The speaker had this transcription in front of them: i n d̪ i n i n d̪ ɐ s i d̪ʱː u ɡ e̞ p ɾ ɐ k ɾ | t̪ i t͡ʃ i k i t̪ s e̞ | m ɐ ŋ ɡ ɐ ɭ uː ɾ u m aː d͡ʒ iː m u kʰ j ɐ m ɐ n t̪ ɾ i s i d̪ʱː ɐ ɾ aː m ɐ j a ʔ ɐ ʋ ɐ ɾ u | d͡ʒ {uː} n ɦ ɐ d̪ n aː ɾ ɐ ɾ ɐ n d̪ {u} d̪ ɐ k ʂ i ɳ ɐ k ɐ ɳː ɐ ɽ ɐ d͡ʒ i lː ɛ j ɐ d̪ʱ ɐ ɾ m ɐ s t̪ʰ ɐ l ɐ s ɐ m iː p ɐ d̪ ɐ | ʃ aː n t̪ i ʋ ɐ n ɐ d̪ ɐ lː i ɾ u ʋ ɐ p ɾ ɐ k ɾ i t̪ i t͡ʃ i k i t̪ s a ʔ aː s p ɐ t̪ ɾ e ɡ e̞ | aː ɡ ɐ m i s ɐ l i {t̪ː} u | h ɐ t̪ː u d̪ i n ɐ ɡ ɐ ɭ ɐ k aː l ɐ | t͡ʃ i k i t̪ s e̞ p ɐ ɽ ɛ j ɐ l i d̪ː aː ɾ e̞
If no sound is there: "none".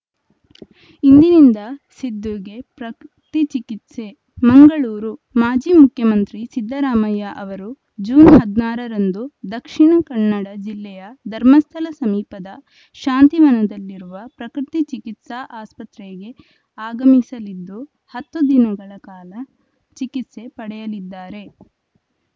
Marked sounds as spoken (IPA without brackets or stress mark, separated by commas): uː, u, d̪ː